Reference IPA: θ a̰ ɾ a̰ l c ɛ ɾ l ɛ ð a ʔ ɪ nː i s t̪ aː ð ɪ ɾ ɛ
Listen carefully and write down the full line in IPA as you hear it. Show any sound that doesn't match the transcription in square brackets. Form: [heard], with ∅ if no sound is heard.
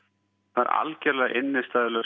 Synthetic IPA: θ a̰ ɾ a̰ l c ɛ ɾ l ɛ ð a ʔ ɪ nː [ɪ] s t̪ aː ð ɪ [l] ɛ